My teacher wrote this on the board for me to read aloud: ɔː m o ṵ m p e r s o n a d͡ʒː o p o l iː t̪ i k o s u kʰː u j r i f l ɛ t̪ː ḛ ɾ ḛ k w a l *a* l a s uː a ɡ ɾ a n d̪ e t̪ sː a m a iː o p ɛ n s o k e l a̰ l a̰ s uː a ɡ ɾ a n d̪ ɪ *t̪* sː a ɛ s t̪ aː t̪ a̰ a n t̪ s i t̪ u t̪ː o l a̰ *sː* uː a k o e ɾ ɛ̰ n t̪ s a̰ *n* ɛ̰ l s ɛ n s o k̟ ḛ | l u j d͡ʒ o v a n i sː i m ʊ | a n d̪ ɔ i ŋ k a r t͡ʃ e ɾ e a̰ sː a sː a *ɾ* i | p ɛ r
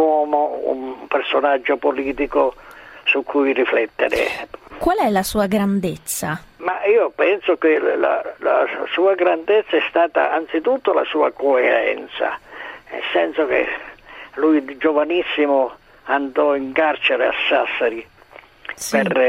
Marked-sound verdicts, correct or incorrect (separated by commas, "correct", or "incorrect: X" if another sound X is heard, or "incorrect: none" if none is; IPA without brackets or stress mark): incorrect: ɛ, correct, incorrect: s, correct, correct